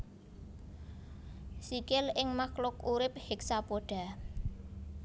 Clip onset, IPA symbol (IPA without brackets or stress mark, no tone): s